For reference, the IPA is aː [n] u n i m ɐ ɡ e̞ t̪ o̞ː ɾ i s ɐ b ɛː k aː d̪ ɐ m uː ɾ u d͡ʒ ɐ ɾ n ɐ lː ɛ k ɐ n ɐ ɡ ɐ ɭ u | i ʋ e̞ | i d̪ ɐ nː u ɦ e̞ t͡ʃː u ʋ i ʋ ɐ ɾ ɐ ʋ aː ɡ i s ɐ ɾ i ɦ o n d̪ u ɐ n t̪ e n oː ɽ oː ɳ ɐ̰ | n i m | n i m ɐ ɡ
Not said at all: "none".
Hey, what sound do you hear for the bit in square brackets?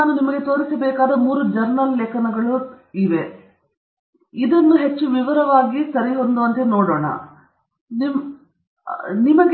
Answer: n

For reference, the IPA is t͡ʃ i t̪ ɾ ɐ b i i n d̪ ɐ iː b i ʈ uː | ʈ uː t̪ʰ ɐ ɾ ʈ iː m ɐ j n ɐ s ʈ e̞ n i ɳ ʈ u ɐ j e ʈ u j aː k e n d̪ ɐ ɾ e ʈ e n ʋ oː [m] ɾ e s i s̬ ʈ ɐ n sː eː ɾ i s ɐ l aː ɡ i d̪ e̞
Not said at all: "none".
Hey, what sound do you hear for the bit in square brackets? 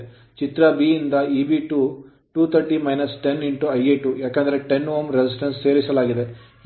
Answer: m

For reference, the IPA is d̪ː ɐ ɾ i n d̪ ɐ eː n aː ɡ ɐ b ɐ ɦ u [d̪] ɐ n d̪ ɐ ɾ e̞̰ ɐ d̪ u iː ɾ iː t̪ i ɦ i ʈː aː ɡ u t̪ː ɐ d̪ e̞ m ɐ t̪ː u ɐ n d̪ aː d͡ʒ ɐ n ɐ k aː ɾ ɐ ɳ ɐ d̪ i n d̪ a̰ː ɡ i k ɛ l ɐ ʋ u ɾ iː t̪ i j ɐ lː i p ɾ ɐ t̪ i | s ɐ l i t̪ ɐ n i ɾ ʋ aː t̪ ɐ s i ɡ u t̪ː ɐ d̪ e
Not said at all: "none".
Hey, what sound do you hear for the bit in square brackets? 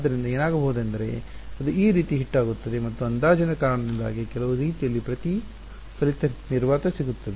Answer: d̪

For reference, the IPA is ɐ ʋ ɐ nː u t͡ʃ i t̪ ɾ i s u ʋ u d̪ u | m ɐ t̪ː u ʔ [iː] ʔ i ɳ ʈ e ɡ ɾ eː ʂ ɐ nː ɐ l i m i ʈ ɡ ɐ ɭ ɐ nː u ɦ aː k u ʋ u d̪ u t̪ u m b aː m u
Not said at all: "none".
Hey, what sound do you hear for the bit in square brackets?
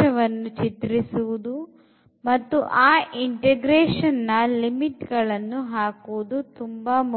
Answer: aː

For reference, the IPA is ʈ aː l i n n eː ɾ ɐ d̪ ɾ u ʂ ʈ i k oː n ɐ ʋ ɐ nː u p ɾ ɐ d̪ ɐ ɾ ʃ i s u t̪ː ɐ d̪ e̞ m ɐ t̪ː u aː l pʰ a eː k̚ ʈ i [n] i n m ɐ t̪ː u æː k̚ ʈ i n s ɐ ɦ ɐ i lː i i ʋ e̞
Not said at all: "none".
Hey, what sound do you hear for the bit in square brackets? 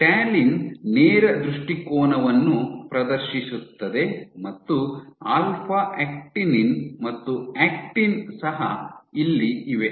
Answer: n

